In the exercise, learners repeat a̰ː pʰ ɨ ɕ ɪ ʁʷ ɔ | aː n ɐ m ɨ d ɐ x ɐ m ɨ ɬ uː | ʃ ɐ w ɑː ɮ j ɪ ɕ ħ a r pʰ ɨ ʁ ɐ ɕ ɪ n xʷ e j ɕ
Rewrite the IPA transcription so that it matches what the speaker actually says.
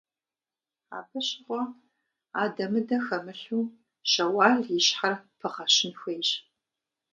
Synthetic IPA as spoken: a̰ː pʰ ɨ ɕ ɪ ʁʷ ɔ | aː d ɐ m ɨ d ɐ x ɐ m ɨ ɬ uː | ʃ ɐ w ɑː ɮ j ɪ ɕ ħ a r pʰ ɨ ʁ ɐ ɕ ɪ n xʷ e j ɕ